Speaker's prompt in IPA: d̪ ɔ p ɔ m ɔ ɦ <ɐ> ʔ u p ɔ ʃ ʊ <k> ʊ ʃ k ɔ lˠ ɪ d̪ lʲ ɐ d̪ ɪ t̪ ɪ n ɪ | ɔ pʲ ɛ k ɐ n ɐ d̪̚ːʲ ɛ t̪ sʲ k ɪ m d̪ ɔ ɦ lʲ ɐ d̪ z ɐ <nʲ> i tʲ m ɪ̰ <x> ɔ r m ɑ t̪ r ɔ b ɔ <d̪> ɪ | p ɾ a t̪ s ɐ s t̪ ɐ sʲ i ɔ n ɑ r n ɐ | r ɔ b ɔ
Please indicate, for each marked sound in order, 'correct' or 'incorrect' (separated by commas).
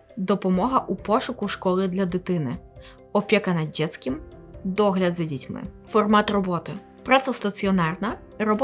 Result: correct, correct, incorrect, incorrect, incorrect